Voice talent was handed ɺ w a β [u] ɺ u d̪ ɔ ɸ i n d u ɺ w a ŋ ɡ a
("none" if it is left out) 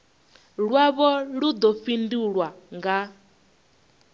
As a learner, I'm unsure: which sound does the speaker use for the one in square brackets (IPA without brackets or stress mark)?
ɔ